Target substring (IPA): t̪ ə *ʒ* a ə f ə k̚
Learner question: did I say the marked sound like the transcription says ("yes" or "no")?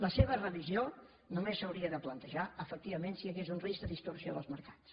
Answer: yes